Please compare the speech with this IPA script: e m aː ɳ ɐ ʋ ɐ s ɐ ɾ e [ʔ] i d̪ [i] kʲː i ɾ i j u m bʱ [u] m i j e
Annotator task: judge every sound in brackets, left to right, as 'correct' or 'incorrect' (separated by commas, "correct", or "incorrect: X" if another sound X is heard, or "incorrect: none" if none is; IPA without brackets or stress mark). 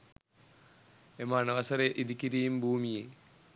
correct, correct, incorrect: uː